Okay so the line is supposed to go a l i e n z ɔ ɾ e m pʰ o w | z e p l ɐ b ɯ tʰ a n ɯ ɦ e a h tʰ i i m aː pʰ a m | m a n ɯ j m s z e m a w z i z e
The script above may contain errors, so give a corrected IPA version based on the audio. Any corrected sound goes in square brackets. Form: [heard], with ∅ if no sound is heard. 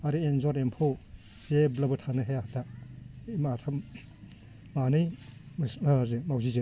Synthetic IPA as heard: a [ɾ] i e n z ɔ ɾ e m pʰ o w | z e [b] l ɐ b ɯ tʰ a n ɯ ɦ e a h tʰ [a] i m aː [tʰ] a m | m a n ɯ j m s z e m a w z i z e